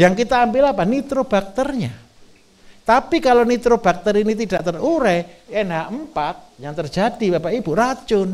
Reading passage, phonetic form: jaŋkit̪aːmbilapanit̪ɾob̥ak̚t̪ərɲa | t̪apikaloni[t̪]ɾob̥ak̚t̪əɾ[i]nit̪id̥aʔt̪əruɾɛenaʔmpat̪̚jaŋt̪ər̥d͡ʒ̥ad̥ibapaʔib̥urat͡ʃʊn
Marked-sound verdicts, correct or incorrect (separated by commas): correct, correct